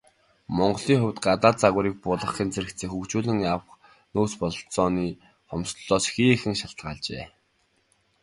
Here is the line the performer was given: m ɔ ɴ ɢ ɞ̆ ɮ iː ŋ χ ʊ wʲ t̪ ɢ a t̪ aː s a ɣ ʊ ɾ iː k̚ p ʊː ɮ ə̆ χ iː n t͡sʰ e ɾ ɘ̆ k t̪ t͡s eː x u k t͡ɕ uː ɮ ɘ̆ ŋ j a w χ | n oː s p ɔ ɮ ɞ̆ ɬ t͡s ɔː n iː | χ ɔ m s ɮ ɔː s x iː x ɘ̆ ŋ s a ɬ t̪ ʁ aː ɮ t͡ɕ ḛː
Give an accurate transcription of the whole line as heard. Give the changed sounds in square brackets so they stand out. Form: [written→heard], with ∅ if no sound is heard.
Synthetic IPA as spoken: m ɔ ɴ ɢ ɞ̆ ɮ iː ŋ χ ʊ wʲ t̪ ɢ a t̪ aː [s→t͡s] a ɣ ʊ ɾ iː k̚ p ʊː ɮ ə̆ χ iː n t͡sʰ e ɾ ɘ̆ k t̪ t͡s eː x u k t͡ɕ uː ɮ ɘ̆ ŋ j a w χ | n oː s p ɔ ɮ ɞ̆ ɬ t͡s ɔː n iː | χ ɔ m s ɮ ɔː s x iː x ɘ̆ ŋ [s→ʃ] a ɬ t̪ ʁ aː ɮ t͡ɕ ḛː